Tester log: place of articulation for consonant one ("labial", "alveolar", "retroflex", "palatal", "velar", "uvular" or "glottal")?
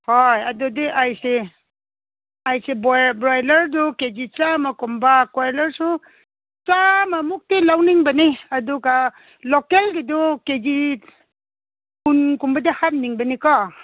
glottal